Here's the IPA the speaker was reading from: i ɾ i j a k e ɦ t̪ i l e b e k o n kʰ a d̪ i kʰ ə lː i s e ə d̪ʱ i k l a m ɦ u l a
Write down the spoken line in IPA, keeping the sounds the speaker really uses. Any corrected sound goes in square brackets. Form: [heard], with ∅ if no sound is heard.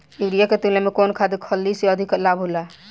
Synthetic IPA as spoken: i ɾ i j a k e [∅] t̪ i l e [m] e k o n kʰ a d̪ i kʰ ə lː i s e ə d̪ʱ i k l a [b] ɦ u l a